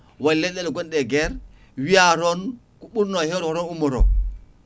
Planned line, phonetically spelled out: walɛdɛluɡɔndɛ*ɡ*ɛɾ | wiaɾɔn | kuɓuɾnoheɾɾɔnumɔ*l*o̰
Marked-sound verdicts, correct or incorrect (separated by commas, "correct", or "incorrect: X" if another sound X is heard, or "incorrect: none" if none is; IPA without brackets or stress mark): correct, incorrect: ɾ